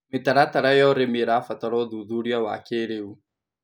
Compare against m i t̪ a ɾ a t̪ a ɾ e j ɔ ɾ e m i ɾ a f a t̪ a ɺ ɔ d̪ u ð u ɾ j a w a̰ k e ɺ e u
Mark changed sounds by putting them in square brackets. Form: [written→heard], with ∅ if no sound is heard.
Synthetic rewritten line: m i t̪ a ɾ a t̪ a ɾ [e→a] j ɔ ɾ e m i ɾ a f a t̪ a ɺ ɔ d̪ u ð u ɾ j a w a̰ k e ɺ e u